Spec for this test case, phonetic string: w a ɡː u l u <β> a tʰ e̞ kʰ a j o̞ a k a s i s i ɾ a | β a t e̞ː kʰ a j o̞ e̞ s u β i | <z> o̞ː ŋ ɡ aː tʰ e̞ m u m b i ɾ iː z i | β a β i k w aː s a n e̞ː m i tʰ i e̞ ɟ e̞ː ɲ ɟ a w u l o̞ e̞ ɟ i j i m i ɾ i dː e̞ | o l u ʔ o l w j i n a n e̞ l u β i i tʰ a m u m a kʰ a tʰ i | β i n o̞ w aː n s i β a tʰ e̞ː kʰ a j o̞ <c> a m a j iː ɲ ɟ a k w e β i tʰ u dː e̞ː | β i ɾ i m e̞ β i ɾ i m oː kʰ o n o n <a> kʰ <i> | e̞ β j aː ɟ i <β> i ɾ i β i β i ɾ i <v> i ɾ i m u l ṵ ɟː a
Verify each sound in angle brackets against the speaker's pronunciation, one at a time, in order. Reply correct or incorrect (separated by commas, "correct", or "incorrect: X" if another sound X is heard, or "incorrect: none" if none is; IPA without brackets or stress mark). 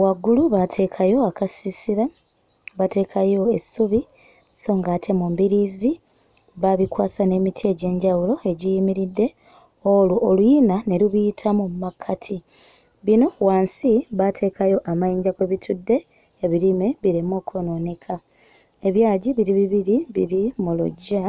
correct, incorrect: s, incorrect: ʔ, incorrect: e, incorrect: a, correct, incorrect: β